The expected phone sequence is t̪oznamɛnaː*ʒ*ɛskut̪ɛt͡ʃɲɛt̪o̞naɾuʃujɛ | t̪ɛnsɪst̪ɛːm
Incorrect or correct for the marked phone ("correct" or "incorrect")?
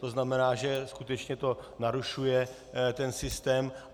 correct